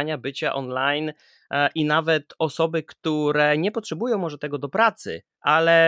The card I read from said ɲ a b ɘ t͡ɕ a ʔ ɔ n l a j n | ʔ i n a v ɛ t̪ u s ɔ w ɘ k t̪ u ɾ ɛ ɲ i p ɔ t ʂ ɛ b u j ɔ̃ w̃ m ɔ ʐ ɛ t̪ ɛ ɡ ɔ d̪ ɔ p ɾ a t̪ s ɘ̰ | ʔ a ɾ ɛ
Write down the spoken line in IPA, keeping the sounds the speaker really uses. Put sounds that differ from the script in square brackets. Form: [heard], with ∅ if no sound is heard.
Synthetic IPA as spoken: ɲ a b ɘ t͡ɕ a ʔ ɔ n l a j n | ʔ i n a v ɛ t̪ [ɔ] s ɔ [b] ɘ k t̪ u ɾ ɛ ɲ [ɛ] p ɔ t ʂ ɛ b u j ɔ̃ w̃ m ɔ ʐ ɛ t̪ ɛ ɡ ɔ d̪ ɔ p ɾ a t̪ s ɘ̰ | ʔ a [l] ɛ